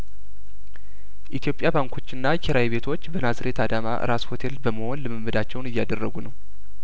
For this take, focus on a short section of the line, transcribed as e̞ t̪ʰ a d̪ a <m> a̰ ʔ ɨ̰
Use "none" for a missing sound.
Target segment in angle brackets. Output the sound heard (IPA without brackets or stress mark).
m